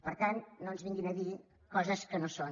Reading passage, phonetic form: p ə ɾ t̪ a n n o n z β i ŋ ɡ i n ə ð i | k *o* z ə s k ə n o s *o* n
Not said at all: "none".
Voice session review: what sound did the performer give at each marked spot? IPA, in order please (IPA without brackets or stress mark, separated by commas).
ɔ, o